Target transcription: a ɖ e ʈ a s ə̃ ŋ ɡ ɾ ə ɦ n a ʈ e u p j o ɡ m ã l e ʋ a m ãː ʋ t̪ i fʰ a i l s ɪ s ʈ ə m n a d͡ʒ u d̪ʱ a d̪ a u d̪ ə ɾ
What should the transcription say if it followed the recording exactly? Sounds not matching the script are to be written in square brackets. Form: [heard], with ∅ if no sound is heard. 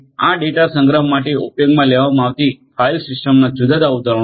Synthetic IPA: a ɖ e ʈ a s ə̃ ŋ ɡ ɾ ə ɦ [m] a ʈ e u p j o ɡ m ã l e ʋ a m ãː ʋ t̪ i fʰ a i l s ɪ s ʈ ə m n a d͡ʒ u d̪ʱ a d̪ a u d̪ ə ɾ